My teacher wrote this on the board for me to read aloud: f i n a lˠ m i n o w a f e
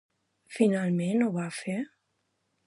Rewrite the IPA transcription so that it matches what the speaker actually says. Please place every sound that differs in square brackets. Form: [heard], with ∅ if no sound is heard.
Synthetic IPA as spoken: f i n a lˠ m [e] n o [β] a f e